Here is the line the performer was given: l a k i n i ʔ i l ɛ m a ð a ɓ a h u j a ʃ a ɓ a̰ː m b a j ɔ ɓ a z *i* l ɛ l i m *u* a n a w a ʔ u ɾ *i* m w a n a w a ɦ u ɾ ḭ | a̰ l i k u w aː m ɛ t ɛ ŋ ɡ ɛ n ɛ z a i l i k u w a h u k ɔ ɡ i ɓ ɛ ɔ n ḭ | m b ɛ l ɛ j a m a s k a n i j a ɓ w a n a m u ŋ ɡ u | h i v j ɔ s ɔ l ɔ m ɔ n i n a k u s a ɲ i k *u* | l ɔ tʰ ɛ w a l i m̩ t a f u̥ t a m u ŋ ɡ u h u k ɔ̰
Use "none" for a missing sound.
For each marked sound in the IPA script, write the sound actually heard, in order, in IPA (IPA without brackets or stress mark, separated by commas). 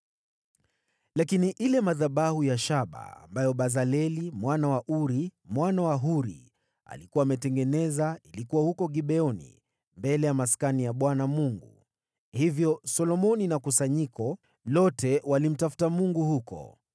a, w, i, ɔ